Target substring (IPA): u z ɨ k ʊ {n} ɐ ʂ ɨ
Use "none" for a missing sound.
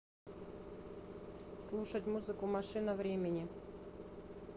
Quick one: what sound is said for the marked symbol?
m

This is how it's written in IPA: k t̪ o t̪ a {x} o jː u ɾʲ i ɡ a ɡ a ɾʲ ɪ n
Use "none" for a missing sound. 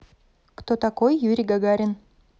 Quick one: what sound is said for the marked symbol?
k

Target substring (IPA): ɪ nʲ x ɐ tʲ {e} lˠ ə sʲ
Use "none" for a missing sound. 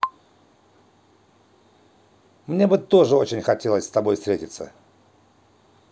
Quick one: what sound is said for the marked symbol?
e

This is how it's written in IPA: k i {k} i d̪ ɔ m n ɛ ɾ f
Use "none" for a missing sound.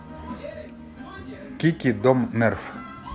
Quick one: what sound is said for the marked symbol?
k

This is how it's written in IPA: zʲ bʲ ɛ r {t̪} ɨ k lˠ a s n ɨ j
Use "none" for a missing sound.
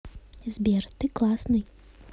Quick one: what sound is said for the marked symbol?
t̪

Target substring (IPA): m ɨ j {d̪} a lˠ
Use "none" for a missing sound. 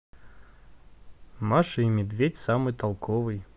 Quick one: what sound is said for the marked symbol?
t̪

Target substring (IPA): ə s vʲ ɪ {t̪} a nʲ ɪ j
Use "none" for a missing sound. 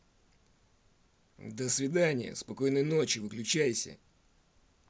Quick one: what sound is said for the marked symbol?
d̪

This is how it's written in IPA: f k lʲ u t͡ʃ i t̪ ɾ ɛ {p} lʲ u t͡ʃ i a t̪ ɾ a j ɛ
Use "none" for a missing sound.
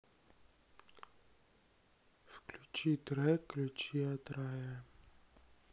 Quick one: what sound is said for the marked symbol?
k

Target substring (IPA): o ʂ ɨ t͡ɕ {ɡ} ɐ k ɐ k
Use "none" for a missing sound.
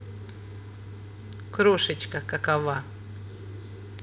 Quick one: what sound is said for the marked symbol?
k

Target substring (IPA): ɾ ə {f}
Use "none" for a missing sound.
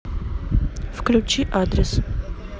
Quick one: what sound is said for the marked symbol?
s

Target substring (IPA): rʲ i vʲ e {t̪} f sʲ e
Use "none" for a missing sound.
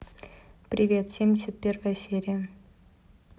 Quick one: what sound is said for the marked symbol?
t̪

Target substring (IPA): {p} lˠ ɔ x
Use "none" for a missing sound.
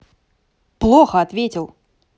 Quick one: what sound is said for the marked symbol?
p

